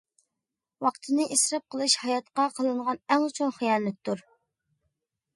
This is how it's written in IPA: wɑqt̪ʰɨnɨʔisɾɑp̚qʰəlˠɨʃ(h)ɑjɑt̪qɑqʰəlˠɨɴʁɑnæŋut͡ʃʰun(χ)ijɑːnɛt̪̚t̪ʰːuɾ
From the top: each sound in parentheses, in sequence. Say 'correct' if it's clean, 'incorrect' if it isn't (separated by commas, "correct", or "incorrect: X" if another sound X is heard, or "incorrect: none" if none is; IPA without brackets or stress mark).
correct, correct